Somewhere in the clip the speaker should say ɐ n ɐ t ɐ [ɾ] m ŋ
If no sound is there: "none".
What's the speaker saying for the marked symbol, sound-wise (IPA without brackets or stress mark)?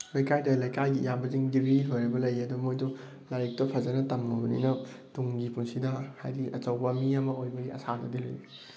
none